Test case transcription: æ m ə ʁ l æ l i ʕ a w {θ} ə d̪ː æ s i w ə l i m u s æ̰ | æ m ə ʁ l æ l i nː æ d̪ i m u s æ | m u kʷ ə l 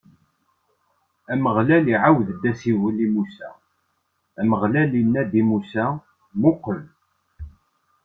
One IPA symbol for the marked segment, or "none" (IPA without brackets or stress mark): ð